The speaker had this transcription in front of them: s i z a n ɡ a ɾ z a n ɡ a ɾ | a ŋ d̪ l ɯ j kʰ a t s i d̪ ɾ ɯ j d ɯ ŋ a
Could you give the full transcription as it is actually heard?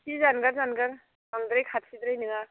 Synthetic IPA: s i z a n ɡ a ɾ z a n ɡ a ɾ | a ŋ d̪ ɾ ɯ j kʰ a t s i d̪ ɾ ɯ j n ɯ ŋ a